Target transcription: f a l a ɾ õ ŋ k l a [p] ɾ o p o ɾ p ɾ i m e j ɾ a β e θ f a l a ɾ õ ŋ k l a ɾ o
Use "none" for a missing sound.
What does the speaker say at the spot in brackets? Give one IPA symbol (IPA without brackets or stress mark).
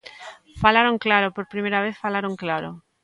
none